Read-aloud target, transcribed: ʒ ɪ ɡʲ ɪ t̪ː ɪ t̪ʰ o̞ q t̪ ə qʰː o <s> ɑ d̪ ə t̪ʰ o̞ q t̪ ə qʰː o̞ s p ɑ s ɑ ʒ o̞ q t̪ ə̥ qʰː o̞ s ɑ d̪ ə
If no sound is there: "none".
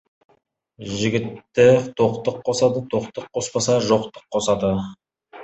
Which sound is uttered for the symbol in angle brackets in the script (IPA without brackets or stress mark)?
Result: s